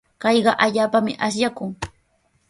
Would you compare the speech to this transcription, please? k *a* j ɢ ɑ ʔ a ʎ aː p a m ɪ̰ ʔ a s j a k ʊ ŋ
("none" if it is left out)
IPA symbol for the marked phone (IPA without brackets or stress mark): ɑ